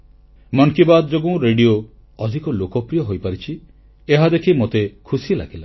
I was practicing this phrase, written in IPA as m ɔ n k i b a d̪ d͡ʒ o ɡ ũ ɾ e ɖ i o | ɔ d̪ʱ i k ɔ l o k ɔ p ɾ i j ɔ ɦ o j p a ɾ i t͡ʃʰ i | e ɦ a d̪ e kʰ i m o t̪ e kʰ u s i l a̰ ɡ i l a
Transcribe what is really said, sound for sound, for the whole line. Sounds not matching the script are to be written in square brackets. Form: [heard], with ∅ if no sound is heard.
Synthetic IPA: m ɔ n k i b a d̪ d͡ʒ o ɡ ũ ɾ e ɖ i o | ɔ d̪ʱ i k ɔ l o k ɔ p ɾ i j ɔ ɦ o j p a ɾ i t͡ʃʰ i | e ɦ a d̪ e kʰ i m o t̪ e kʰ u s i l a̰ ɡ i l a